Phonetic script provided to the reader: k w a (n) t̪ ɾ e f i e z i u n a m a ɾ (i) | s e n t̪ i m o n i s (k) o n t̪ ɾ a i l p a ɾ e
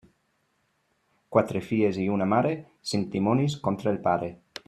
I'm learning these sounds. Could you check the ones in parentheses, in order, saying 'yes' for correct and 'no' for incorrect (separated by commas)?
no, no, yes